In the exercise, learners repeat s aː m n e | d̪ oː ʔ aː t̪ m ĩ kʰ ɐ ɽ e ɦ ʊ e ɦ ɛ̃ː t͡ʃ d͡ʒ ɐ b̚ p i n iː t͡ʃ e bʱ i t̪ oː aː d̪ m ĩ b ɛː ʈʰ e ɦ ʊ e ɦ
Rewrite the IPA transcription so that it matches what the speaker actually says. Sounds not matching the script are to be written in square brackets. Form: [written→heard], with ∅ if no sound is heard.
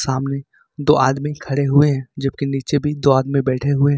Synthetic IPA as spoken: s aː m n e | d̪ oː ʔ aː [t̪→d̪] m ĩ kʰ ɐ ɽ e ɦ ʊ e ɦ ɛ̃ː [t͡ʃ→∅] d͡ʒ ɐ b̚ [p→k] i n iː t͡ʃ e bʱ i [t̪→d̪] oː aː d̪ m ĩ b ɛː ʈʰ e ɦ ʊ e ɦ